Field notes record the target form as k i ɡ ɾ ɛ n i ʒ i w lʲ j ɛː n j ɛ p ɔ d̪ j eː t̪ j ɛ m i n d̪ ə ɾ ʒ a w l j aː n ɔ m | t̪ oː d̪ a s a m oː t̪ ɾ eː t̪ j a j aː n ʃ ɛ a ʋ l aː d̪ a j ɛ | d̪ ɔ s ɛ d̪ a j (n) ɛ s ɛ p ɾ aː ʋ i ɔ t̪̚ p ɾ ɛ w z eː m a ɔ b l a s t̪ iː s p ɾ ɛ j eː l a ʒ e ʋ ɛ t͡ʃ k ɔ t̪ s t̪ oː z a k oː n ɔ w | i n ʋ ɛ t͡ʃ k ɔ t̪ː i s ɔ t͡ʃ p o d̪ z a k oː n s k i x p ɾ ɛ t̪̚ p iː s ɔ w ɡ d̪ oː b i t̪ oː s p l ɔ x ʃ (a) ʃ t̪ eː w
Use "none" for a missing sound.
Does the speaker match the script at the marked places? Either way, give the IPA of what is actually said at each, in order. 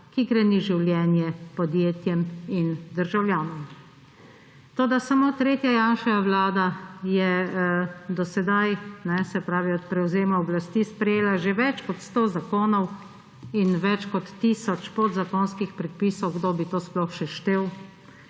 n, ɛ

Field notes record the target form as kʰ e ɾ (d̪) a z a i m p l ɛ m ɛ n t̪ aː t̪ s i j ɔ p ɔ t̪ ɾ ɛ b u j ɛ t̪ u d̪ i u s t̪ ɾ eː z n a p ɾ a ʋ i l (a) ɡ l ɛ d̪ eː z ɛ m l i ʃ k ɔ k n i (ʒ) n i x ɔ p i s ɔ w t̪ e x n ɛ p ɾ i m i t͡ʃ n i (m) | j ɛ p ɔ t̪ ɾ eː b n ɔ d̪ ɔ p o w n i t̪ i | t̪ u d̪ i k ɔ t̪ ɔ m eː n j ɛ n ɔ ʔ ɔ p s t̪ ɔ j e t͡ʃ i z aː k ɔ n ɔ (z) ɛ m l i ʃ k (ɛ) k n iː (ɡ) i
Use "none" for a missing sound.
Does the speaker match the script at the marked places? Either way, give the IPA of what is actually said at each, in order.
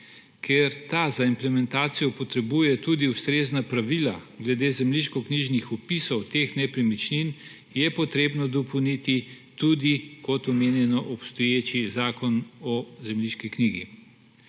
t̪, a, ʒ, n, z, i, ɡ

